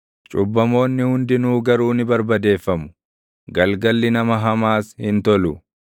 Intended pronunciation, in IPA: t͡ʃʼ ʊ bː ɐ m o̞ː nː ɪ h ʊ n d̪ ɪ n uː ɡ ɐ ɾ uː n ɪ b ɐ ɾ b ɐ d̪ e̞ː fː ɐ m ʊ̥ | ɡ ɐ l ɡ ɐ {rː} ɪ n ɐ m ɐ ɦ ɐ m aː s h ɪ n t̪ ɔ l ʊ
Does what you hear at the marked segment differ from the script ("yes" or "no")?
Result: yes